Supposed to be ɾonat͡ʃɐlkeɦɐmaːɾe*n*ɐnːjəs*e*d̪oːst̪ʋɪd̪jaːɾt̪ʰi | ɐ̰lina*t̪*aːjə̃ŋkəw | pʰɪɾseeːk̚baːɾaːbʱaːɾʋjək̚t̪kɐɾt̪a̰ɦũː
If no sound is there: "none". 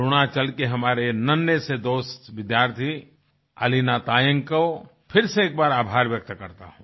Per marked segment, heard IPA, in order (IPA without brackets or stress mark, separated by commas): n, e, t̪